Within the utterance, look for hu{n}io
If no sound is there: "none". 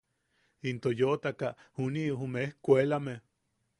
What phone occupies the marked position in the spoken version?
n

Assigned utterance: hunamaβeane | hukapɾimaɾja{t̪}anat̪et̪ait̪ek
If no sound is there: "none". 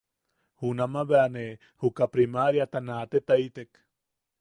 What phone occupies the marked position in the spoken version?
t̪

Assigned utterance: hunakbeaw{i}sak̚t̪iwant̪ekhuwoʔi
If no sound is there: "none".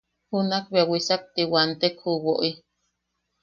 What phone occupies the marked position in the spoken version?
i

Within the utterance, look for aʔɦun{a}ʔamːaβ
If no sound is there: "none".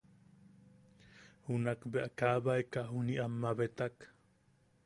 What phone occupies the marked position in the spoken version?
i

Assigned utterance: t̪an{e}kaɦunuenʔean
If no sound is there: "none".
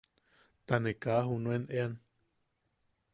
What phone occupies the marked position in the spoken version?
e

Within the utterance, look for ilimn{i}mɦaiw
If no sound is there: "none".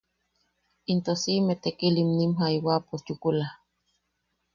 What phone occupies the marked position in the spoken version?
i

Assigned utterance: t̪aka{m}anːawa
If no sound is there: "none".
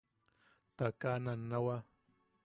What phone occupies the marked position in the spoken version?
n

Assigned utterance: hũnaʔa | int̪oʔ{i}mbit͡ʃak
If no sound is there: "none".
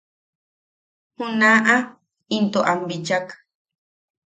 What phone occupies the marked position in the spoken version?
a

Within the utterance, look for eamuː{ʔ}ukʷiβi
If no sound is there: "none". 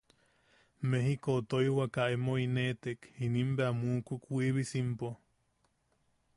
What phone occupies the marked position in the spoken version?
k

